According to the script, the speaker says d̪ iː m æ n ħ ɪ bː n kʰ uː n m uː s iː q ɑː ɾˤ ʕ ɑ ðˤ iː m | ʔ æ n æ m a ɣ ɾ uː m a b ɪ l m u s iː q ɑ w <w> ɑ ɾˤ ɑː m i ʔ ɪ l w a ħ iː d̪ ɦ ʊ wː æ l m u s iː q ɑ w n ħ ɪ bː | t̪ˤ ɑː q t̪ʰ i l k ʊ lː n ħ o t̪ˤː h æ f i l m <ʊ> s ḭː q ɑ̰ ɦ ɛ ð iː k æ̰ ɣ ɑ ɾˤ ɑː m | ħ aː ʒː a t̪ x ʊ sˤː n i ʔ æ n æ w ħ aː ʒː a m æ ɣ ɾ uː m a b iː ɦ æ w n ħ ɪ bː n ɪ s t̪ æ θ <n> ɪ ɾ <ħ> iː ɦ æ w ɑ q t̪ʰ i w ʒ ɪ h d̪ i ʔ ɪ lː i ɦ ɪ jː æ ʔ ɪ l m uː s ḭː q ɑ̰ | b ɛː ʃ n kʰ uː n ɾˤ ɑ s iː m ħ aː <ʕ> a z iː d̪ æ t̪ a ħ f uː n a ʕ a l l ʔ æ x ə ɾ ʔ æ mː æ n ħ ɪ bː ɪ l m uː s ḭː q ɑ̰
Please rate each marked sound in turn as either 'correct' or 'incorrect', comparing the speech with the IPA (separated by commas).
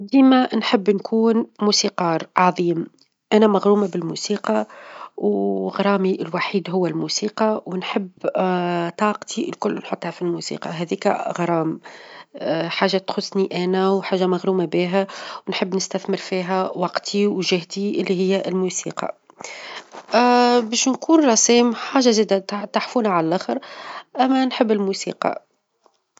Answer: incorrect, incorrect, incorrect, incorrect, incorrect